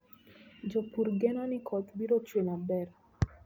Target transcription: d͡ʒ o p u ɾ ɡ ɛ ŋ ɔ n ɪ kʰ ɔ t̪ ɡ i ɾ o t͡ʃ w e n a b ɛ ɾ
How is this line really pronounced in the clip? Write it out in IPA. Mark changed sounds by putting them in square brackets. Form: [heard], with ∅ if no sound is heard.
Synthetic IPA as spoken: d͡ʒ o p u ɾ ɡ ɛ [n] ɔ n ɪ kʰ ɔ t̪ [b] i ɾ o t͡ʃ w e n a b ɛ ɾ